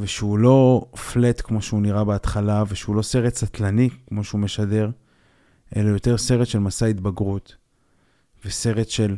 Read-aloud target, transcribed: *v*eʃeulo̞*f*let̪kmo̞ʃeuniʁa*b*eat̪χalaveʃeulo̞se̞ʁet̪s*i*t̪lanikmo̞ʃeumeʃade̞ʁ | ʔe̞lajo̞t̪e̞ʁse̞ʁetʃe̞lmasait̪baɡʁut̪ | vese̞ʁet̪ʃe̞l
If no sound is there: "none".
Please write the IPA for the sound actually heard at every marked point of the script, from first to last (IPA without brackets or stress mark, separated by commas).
v, f, b, a